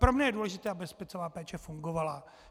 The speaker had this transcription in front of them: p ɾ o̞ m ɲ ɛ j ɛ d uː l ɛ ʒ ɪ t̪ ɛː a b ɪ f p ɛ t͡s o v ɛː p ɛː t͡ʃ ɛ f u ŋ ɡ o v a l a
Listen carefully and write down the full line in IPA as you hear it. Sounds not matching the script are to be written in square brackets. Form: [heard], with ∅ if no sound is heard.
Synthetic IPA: p ɾ o̞ m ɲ ɛ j ɛ d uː l ɛ ʒ ɪ t̪ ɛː a b ɪ [s] p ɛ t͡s o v [aː] p ɛː t͡ʃ ɛ f u ŋ ɡ o v a l a